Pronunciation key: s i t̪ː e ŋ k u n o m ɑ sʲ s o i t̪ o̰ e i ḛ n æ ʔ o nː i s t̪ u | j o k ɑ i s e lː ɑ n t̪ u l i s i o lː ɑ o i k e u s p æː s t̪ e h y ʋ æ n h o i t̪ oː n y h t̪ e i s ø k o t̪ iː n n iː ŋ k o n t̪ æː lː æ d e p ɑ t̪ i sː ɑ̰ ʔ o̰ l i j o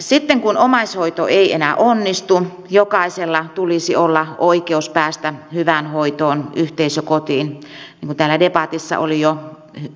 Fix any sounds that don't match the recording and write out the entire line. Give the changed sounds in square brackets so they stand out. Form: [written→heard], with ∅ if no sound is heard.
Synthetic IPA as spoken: s i t̪ː e ŋ k u n o m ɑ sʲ [s→h] o i t̪ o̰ e i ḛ n æ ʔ o nː i s t̪ u | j o k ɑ i s e lː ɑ [n→∅] t̪ u l i s i o lː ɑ o i k e u s p æː s t̪ [e→æ] h y ʋ æ n h o i t̪ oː n y h t̪ e i s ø k o t̪ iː n n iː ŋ k [o→u] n t̪ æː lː æ d e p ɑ t̪ i sː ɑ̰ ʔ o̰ l i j o